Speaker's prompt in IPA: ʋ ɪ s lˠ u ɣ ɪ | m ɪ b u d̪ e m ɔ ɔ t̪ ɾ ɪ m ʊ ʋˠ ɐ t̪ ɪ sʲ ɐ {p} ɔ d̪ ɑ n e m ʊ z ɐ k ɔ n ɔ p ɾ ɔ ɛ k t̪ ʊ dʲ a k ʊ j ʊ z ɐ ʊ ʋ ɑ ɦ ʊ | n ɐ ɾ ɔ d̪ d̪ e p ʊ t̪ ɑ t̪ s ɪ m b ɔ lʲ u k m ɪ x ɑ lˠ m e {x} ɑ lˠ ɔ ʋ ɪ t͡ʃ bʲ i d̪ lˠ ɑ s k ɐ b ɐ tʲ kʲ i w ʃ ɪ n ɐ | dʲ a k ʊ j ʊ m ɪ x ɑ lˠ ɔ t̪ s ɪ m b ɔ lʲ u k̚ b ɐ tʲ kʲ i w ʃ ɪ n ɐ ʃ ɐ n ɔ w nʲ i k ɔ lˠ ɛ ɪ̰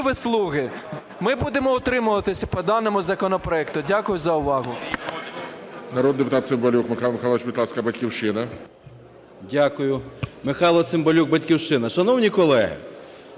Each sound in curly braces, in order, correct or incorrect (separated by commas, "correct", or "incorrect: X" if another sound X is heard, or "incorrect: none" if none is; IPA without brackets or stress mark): correct, correct